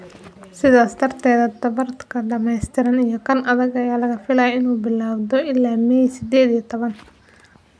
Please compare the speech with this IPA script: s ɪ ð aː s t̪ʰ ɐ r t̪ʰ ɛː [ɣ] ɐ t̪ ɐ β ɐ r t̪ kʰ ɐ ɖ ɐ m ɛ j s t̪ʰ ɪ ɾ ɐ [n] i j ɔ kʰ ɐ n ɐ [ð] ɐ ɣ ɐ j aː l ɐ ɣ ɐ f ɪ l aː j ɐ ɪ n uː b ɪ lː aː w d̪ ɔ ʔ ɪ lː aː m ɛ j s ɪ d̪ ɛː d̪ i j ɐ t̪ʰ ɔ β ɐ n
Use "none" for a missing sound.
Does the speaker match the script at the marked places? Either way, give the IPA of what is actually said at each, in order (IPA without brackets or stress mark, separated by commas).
ð, n, ð